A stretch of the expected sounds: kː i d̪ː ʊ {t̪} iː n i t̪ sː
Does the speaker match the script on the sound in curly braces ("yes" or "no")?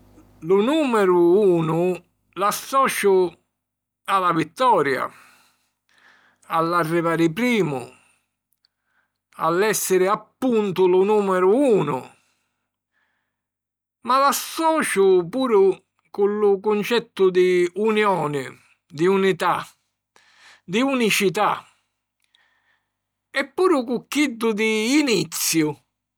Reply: no